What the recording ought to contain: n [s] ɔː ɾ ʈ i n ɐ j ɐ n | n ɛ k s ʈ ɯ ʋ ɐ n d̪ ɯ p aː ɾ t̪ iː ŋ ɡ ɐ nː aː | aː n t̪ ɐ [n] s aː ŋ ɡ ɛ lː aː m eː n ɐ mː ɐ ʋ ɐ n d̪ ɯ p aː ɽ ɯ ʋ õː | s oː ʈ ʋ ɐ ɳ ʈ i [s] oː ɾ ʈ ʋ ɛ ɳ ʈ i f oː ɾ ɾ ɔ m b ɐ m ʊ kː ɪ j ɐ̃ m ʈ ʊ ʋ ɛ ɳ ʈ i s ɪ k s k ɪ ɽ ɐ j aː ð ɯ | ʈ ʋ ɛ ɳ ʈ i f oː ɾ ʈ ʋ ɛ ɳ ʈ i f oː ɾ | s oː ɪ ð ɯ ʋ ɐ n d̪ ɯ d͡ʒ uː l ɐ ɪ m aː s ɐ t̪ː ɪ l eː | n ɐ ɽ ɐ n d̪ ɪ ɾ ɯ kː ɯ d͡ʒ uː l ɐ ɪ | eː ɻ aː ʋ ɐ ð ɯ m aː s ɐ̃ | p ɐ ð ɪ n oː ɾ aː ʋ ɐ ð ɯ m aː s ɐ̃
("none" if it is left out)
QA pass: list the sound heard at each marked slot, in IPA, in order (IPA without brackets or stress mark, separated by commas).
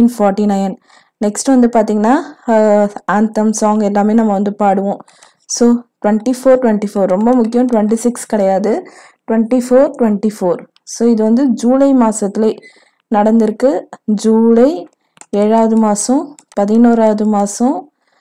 f, m, f